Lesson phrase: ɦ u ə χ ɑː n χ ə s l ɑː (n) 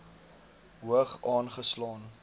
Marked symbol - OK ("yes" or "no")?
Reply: yes